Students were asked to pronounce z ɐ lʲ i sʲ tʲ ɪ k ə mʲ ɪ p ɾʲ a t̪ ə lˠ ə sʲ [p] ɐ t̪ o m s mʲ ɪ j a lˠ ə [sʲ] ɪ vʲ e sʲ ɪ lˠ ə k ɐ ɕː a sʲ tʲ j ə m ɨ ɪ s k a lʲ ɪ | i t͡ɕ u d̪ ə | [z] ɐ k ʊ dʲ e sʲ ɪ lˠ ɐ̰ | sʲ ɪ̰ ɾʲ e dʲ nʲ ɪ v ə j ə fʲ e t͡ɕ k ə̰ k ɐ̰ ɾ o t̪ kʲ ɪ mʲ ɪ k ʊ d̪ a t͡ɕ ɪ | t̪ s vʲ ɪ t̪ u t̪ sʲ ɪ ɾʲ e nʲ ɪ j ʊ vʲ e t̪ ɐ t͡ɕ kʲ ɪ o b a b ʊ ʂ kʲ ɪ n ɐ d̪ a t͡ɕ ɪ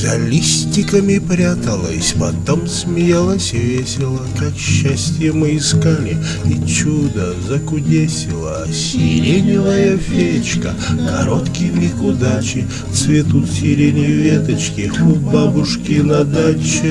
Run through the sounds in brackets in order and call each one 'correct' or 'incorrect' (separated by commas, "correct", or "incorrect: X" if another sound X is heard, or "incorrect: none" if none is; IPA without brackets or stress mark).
correct, correct, correct